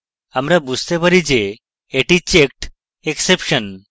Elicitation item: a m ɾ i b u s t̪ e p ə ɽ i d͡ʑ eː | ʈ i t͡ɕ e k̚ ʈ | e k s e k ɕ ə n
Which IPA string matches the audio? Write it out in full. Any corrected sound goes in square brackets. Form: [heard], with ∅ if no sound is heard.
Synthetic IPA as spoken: a m ɾ [a] b u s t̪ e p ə [ɾ] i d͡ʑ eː | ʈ i t͡ɕ e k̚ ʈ | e k s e [p] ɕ ə n